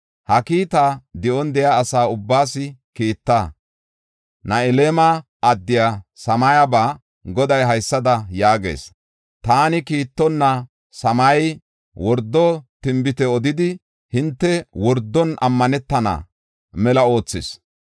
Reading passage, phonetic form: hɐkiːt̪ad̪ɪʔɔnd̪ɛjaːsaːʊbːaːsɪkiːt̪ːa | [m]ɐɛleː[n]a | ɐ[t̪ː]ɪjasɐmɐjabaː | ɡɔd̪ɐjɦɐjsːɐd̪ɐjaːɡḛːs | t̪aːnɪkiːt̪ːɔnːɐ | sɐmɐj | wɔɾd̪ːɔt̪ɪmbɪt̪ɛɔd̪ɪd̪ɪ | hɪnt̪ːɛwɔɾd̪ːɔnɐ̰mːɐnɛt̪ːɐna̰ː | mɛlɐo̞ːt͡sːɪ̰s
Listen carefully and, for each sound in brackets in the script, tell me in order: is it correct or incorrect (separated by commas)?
incorrect, incorrect, incorrect